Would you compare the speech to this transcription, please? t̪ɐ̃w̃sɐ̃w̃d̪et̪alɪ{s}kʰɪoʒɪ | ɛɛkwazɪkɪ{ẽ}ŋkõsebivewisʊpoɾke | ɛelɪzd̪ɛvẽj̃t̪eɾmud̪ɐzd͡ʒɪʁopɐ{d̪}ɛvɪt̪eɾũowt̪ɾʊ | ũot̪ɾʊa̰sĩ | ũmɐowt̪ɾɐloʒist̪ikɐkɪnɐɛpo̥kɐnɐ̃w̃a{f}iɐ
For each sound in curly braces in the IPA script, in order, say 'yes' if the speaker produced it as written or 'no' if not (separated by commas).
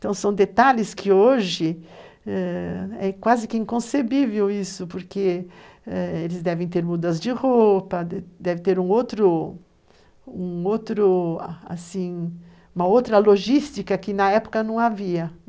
yes, no, yes, no